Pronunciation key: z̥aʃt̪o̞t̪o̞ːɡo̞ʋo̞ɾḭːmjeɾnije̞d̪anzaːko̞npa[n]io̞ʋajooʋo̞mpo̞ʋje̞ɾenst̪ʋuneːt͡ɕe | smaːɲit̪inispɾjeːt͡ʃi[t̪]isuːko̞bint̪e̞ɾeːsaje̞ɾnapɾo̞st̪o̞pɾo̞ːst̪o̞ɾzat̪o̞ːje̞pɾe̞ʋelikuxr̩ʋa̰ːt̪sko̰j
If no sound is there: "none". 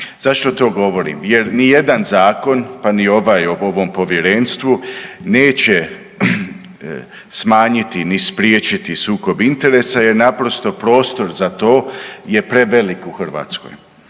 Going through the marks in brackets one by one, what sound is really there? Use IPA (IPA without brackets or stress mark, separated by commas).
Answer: n, t̪